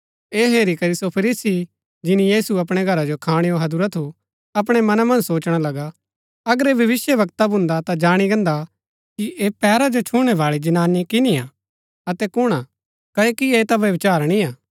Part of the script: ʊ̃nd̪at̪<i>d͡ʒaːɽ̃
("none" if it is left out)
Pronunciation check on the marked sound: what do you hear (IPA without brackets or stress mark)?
a